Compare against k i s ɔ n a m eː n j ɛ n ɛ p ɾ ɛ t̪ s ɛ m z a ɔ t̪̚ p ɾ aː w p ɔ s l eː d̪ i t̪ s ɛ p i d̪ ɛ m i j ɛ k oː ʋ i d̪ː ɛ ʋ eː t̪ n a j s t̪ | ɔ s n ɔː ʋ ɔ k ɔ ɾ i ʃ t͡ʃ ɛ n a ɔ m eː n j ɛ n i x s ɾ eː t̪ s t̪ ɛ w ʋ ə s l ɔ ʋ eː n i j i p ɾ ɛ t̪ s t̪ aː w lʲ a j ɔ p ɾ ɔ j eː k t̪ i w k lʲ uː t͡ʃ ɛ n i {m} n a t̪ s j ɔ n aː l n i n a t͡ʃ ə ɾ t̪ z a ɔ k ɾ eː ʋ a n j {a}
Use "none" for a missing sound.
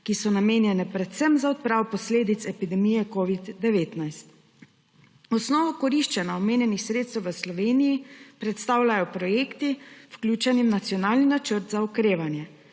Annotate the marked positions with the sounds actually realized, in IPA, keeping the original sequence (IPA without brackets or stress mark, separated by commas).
m, ɛ